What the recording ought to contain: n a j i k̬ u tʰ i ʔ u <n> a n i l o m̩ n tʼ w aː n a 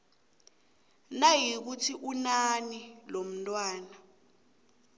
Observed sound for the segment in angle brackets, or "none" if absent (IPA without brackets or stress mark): n